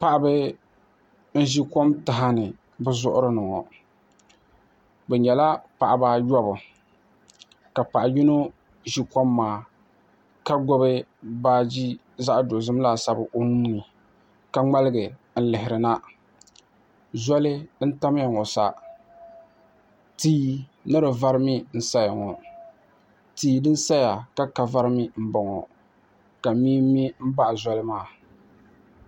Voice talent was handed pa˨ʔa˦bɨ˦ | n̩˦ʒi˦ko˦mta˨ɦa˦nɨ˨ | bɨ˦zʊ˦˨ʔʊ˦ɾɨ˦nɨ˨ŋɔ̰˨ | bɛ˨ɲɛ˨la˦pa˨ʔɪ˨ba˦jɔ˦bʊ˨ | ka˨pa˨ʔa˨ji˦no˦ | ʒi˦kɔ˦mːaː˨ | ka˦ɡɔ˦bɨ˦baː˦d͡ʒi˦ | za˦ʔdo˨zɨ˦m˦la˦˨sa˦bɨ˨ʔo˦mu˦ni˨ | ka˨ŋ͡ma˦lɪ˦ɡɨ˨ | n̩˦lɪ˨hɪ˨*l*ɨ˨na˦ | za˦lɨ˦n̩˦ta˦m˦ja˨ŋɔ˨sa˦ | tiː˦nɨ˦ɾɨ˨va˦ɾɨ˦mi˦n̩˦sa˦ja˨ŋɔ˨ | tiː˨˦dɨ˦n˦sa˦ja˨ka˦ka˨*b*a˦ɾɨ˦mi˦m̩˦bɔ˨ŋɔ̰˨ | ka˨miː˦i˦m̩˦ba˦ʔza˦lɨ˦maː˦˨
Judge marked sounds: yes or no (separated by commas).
no, no